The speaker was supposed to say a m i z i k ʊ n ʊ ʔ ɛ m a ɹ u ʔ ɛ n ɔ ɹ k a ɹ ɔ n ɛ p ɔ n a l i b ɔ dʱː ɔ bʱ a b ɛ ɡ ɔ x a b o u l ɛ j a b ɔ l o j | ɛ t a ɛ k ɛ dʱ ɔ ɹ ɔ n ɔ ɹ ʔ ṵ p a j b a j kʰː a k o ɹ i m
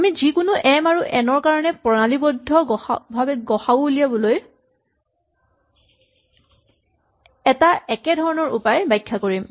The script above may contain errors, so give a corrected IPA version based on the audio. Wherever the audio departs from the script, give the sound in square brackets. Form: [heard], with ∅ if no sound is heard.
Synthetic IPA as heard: a m i z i k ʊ n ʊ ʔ ɛ m a ɹ u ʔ ɛ n ɔ ɹ k a ɹ ɔ n ɛ p ɔ n a l i b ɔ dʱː ɔ bʱ a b ɛ ɡ ɔ x a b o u l [i] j a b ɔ l o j | ɛ t a ɛ k ɛ dʱ ɔ ɹ ɔ n ɔ ɹ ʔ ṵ p a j b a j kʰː a k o ɹ i m